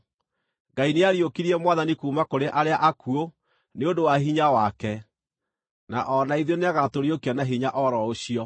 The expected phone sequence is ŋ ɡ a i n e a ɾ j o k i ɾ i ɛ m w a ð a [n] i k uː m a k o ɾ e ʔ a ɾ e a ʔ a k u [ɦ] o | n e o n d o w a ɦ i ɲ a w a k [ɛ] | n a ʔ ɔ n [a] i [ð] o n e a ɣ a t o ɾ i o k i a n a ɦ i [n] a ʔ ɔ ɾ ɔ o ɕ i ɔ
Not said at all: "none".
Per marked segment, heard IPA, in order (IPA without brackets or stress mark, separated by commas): n, none, ɛ, a, ð, ɲ